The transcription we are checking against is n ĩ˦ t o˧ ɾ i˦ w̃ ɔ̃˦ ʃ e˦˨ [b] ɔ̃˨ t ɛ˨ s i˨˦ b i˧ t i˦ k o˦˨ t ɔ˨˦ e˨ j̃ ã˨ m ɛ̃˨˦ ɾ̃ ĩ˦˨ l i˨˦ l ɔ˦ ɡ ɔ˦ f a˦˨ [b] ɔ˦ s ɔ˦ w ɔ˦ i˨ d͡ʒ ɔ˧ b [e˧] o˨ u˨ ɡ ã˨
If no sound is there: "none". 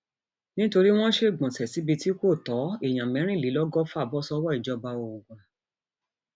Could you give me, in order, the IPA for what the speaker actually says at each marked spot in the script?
ɡ͡b, b, a˧

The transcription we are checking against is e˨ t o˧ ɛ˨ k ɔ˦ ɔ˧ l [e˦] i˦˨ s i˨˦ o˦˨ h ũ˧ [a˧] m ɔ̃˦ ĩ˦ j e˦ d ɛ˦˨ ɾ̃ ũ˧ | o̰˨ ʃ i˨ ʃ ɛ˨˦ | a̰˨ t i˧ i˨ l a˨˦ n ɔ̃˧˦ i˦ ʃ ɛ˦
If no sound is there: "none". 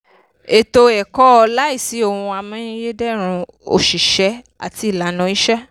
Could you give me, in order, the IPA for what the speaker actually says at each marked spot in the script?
a˦, a˧

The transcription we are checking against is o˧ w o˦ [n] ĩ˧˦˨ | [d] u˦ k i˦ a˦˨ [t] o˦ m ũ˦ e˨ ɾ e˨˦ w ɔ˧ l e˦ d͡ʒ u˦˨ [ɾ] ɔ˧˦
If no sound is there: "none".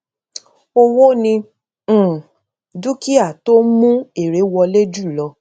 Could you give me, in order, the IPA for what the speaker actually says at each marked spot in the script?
n, d, t, l

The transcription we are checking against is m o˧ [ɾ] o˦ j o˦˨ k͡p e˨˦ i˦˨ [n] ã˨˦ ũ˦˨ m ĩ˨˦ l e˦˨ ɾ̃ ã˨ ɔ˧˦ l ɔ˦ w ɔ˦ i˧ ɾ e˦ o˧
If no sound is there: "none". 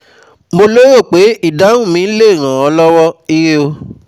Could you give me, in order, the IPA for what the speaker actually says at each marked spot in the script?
l, d

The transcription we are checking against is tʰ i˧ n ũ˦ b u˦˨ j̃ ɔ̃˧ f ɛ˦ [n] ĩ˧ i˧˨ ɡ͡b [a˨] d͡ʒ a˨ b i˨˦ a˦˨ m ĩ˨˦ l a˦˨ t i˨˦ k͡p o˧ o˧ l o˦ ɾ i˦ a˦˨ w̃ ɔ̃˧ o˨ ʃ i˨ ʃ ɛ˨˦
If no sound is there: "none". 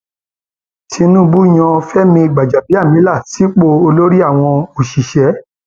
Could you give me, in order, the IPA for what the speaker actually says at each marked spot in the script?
m, a˨

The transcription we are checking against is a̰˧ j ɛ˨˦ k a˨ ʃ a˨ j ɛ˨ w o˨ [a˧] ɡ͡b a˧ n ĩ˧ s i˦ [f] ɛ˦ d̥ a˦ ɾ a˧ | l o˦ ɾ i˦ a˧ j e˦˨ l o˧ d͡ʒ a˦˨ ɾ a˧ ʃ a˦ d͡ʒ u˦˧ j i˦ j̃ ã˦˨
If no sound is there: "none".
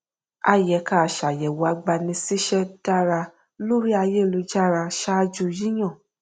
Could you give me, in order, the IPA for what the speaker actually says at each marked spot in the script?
a˧, ʃ

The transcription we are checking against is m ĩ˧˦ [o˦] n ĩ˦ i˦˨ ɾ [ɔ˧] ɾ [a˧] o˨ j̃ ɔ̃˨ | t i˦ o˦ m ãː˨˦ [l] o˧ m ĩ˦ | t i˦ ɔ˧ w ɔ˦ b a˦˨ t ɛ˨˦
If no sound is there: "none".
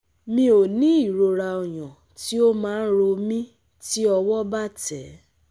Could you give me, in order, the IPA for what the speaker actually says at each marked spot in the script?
o˨, o˧, a˧, ɾ

